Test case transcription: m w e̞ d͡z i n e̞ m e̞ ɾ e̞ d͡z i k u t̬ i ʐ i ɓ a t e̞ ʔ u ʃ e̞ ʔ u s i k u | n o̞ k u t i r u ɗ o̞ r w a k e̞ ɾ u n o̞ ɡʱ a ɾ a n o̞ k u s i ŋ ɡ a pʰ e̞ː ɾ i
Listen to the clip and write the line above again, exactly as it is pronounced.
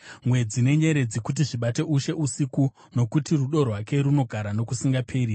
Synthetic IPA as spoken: m w e̞ d͡z i n e̞ ɲ e̞ ɾ e̞ d͡z i k u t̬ i ʐ i ɓ a t e̞ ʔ u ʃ e̞ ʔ u s i k u | n o̞ k u t i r u ɗ o̞ r w a k e̞ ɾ u n o̞ ɡʱ a ɾ a n o̞ k u s i ŋ ɡ a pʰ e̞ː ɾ i